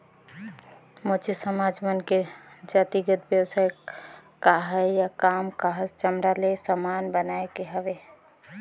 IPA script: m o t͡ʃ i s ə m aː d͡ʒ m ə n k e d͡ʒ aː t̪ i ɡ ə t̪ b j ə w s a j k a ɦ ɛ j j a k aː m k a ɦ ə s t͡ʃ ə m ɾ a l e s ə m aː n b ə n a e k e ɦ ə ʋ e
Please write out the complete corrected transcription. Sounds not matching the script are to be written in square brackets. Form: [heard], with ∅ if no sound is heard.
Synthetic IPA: m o t͡ʃ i s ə m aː d͡ʒ m ə n k e d͡ʒ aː t̪ i ɡ ə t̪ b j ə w s a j k a ɦ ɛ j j a k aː m k a ɦ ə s t͡ʃ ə m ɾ a l e s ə m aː n b ə n a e k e ɦ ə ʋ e